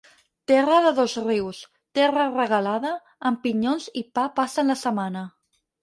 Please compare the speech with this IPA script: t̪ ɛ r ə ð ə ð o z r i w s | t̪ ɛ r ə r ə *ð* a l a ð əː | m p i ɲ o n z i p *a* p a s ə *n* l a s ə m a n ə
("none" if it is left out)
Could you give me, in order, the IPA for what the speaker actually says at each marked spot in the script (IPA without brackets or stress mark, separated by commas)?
ɣ, a, n